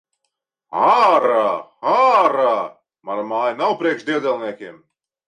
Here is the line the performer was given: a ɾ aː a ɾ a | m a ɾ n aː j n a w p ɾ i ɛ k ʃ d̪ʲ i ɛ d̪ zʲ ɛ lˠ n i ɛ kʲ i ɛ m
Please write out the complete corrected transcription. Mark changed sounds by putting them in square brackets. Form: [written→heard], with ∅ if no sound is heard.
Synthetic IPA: a ɾ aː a ɾ a | m a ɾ [n→m] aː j n a w p ɾ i ɛ k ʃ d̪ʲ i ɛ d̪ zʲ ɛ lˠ n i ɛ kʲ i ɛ m